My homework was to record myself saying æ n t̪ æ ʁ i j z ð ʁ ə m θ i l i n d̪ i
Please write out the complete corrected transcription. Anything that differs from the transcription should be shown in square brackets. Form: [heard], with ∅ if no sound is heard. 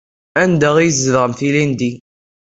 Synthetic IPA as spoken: æ n [d̪] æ ʁ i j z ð ʁ ə m θ i l i n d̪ i